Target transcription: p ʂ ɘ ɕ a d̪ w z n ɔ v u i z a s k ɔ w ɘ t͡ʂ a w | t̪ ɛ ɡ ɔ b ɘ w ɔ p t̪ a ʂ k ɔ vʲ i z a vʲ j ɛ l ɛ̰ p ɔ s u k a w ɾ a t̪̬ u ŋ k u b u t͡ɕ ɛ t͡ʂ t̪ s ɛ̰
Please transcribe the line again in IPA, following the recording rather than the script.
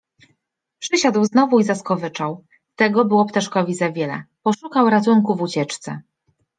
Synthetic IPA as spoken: p ʂ ɘ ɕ a d̪ w z n ɔ v u i z a s k ɔ v ɘ t͡ʂ a w | t̪ ɛ ɡ ɔ b ɘ w ɔ p t̪ a ʂ k ɔ vʲ i z a vʲ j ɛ l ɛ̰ p ɔ ʂ u k a w ɾ a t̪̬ u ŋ k u v u t͡ɕ ɛ t͡ʂ t̪ s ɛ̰